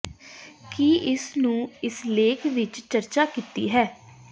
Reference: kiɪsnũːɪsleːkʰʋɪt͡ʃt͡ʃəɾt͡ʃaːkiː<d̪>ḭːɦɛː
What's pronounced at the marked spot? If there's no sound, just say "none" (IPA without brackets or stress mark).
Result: t̪